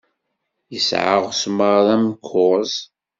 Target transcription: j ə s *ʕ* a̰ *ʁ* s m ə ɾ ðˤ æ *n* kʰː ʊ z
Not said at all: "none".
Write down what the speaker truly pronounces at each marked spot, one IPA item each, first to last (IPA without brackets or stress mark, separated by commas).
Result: ʕ, ʁ, m